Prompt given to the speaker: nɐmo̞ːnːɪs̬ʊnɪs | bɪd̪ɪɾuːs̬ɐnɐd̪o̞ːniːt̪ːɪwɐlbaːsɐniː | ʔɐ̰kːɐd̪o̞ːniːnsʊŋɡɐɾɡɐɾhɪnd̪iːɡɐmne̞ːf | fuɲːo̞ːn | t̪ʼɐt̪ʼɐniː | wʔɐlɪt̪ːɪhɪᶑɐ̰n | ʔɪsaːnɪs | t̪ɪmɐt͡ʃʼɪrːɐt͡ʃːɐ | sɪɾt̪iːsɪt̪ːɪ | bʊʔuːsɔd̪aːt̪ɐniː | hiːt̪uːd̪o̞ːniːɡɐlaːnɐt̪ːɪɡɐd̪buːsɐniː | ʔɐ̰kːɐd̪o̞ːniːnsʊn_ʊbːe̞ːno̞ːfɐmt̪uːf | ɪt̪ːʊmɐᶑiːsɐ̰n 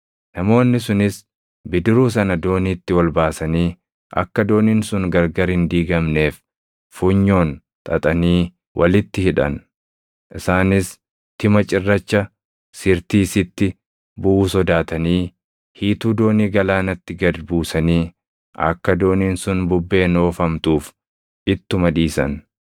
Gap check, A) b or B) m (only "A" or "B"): A